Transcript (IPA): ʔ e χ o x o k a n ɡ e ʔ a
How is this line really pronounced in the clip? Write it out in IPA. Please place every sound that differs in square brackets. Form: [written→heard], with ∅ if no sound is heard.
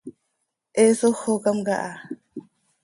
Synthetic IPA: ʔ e [χ→s] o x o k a [n→m] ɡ [e→a] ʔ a